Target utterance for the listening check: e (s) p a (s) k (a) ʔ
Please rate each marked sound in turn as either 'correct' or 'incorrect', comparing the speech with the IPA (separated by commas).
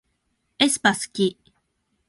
correct, correct, incorrect